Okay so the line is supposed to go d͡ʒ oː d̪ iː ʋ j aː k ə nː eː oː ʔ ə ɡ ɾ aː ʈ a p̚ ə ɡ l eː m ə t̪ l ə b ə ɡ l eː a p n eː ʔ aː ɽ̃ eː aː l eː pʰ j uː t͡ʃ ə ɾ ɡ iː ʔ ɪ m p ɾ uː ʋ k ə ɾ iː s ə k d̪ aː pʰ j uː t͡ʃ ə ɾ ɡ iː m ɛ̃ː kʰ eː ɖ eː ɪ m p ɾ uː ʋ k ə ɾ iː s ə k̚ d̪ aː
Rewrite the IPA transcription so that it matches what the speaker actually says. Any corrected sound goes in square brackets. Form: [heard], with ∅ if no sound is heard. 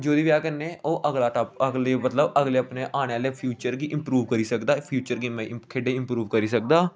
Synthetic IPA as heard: d͡ʒ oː d̪ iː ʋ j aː k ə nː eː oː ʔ ə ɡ [l] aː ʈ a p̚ ə ɡ l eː m ə t̪ l ə b ə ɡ l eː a p n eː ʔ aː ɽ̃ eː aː l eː pʰ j uː t͡ʃ ə ɾ ɡ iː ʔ ɪ m p ɾ uː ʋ k ə ɾ iː s ə k d̪ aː pʰ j uː t͡ʃ ə ɾ ɡ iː m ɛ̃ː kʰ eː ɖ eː ɪ m p ɾ uː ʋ k ə ɾ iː s ə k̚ d̪ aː